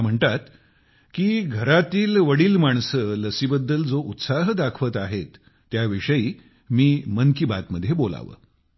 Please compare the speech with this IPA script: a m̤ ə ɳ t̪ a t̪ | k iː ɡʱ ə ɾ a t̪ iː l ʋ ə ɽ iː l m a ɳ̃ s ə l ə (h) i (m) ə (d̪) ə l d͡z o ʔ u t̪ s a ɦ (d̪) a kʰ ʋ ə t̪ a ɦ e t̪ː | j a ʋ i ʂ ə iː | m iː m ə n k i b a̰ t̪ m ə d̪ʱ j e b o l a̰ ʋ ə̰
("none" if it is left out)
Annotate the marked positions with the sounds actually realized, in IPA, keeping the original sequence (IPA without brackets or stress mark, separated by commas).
s, b, d̪ː, d̪